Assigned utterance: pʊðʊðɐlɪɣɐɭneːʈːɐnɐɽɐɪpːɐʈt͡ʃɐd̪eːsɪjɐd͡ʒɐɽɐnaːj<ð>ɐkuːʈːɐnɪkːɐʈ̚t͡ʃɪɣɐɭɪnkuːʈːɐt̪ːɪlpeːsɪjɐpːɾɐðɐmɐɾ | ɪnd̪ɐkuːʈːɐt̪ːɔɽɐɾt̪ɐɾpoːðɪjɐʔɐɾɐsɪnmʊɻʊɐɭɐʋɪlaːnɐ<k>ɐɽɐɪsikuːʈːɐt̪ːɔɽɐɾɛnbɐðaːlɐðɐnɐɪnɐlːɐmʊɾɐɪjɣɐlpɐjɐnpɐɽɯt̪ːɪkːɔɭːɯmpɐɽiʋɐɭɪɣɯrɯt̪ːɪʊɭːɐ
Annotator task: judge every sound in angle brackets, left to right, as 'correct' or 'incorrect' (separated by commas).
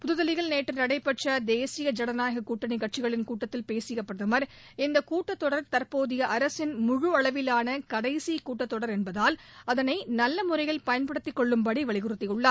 incorrect, correct